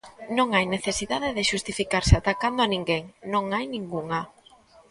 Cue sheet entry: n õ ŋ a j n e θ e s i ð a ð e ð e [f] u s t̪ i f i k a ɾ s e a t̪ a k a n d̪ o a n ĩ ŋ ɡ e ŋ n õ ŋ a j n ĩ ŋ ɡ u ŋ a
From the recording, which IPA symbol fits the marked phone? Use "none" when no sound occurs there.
ʃ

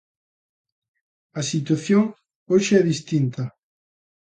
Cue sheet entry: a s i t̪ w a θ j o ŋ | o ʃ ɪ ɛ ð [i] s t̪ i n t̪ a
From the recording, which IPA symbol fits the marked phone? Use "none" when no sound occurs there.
i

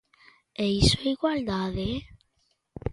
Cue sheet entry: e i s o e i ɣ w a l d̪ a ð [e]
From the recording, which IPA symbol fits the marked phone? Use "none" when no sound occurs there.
e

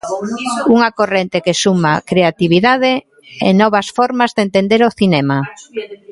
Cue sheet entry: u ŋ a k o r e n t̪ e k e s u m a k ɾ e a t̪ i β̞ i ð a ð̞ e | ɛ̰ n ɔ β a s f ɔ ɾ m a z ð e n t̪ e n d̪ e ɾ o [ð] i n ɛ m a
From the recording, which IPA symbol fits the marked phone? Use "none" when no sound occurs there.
θ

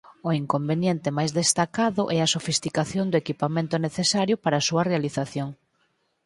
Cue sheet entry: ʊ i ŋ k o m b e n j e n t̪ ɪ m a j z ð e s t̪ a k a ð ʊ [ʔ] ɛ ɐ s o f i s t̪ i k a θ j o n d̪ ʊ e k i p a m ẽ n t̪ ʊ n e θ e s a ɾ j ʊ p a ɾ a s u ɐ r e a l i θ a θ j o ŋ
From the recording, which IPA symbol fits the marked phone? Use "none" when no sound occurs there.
ʔ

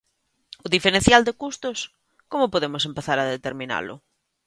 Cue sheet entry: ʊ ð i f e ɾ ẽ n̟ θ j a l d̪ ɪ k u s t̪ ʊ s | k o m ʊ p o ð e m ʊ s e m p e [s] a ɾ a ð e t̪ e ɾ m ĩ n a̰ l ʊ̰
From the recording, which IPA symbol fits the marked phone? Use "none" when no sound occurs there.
θ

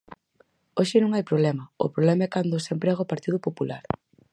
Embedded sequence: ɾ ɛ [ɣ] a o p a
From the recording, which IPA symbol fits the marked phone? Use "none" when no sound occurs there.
ɣ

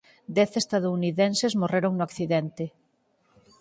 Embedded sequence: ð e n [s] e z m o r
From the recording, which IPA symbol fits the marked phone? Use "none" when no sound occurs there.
s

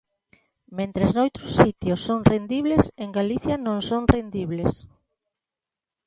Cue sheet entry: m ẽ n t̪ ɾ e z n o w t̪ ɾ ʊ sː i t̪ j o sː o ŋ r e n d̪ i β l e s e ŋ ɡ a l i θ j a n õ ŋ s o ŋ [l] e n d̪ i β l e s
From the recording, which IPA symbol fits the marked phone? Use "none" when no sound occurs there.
r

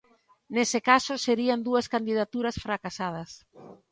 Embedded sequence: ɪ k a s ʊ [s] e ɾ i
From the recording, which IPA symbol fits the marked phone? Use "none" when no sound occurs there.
s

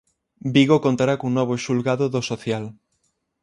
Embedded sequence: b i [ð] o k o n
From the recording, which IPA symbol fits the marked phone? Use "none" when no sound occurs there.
ɣ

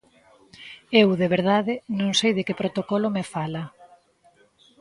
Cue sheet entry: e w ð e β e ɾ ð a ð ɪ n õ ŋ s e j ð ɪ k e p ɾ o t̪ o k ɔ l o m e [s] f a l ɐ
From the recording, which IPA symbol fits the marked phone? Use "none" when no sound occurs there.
none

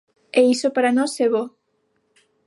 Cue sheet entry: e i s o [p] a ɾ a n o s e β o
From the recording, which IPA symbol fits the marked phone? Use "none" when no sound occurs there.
p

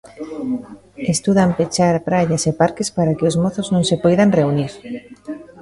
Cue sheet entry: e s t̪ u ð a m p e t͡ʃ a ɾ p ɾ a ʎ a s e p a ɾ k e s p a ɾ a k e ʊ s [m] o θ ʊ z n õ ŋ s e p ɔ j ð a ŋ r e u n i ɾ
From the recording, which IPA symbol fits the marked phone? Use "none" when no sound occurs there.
m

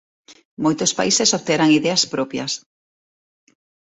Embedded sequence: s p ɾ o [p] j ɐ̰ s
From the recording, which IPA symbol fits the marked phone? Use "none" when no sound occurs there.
p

